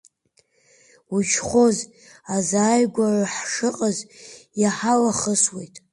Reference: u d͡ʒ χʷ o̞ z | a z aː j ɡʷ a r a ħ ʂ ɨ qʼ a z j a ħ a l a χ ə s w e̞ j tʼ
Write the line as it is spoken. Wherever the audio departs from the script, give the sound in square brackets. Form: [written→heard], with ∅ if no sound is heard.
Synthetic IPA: u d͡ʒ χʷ o̞ z | a z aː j ɡʷ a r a ħ ʂ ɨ qʼ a z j a ħ a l a χ ə s w e̞ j tʼ